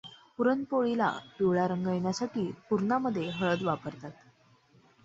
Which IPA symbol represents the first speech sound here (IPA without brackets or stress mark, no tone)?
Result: p